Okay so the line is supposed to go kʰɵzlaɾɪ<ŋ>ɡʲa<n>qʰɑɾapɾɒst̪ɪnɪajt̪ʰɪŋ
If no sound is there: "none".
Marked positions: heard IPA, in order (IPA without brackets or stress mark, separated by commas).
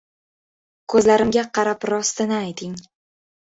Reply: m, none